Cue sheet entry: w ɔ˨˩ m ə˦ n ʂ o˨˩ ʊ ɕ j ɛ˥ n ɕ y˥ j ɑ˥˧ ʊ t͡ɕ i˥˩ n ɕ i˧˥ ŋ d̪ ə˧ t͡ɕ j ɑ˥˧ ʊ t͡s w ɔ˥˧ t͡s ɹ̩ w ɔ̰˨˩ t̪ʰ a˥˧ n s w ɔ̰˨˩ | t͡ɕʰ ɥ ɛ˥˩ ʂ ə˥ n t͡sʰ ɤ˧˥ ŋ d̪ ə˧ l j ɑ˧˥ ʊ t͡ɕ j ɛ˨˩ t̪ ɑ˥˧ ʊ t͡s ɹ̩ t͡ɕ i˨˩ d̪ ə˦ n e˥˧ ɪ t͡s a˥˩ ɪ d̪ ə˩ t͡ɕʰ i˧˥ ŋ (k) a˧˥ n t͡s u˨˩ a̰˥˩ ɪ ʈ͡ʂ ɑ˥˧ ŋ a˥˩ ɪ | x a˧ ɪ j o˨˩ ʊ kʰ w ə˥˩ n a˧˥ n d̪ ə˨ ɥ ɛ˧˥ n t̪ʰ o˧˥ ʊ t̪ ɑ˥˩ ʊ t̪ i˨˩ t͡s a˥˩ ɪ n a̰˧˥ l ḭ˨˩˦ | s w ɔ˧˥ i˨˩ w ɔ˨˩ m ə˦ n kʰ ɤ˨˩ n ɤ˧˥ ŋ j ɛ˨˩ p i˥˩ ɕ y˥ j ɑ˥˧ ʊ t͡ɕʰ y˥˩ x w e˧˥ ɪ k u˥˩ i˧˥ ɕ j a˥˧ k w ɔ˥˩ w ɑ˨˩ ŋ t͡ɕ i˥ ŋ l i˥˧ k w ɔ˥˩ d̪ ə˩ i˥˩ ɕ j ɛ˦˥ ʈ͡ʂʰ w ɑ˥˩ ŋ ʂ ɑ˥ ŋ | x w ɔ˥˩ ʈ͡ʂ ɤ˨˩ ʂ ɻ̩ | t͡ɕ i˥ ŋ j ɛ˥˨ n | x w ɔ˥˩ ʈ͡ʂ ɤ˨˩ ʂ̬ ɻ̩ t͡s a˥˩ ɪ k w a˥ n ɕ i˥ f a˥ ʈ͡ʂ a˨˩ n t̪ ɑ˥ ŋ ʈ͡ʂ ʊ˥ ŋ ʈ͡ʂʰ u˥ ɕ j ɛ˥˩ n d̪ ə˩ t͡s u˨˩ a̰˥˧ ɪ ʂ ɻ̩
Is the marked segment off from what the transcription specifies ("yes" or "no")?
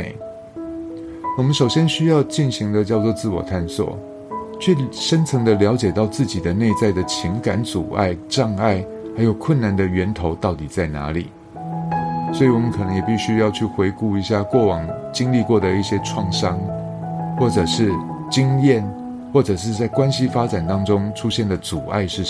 no